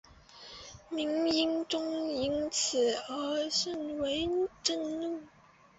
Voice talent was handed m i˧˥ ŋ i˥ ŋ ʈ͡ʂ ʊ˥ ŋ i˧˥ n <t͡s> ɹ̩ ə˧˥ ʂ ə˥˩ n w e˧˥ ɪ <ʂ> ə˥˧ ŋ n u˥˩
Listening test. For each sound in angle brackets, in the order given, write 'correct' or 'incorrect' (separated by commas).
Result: incorrect, incorrect